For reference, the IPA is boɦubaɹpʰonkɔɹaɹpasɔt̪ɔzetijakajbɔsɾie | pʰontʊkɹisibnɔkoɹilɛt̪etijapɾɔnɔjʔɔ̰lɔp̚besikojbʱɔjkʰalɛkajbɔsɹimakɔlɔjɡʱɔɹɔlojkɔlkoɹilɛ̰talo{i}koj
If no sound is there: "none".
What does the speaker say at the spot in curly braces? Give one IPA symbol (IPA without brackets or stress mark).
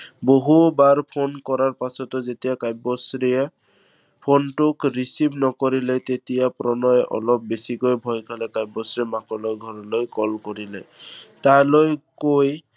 j